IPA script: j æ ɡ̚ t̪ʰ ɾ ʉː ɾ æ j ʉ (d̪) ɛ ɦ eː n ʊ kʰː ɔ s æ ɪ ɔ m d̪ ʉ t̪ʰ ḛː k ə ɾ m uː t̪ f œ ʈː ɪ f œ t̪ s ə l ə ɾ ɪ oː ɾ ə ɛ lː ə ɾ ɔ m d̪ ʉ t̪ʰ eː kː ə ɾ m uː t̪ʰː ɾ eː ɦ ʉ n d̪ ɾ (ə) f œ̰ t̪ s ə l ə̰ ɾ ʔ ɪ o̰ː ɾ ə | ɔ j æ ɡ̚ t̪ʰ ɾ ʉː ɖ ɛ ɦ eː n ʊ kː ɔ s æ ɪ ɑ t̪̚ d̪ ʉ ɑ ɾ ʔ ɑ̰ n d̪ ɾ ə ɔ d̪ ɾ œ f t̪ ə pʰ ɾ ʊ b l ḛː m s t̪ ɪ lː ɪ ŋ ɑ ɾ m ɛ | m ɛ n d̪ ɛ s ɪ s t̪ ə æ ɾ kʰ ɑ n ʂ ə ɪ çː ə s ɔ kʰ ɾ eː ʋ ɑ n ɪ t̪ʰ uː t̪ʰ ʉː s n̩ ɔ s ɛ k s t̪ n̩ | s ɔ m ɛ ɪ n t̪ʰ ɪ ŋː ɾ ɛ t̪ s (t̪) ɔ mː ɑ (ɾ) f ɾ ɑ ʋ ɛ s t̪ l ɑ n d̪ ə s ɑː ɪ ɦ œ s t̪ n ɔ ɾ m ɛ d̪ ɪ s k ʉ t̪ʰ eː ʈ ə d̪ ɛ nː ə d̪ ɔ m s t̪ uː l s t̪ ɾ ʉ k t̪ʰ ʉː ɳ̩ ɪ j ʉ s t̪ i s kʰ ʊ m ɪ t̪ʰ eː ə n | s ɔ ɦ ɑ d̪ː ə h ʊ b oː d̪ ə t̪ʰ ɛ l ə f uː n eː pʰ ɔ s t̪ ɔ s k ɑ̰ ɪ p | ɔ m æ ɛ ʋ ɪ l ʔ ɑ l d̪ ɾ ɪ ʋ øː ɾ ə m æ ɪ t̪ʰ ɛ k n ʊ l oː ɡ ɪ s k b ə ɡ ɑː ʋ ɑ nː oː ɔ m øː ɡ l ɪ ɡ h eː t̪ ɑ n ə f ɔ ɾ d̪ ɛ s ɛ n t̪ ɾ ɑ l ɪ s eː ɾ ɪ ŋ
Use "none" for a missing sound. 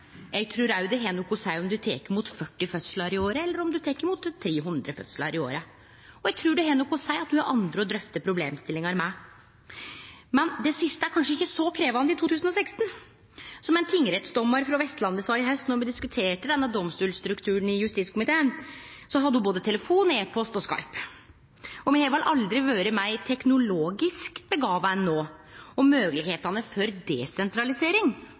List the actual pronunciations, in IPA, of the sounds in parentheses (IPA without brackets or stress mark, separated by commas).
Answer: d̪, ə, d̪, ɾ